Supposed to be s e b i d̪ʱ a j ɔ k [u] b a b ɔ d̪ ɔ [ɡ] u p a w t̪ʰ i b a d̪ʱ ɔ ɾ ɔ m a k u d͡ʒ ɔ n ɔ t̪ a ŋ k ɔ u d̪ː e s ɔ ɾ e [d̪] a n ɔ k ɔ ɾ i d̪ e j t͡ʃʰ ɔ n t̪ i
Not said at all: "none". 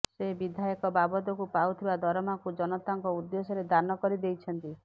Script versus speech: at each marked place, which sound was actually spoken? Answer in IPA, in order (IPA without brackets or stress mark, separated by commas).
ɔ, k, d̪